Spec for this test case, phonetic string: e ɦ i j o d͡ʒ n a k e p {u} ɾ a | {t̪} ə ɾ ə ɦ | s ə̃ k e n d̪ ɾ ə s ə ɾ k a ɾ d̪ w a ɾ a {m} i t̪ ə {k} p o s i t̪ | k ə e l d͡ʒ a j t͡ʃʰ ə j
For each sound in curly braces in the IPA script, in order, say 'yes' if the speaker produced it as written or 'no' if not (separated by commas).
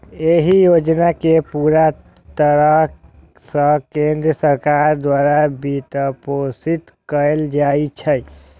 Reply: yes, yes, no, no